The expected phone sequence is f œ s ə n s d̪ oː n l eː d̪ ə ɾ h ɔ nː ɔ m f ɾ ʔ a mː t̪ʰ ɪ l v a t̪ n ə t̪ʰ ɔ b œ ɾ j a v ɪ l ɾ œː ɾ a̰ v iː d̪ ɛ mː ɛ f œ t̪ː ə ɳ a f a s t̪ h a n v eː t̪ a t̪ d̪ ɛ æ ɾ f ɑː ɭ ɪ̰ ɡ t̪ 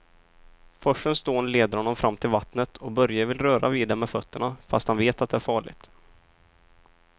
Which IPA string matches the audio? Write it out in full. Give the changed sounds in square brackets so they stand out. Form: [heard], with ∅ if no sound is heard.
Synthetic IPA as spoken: f œ [ʂ] ə n s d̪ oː n l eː d̪ ə ɾ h ɔ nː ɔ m f ɾ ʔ a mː t̪ʰ ɪ l v a t̪ n ə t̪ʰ ɔ b œ ɾ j a v ɪ l ɾ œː ɾ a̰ v iː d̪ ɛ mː ɛ f œ t̪ː ə ɳ a f a s t̪ h a n v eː t̪ a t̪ d̪ ɛ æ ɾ f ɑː ɭ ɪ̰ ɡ t̪